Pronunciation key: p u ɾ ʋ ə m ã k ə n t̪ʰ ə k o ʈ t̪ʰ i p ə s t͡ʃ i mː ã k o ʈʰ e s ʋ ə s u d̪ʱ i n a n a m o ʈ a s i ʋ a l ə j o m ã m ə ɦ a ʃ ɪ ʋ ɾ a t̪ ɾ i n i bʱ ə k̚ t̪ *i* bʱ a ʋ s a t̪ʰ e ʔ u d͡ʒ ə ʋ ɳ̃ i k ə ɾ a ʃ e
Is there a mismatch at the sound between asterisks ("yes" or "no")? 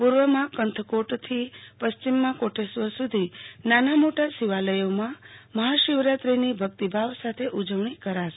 no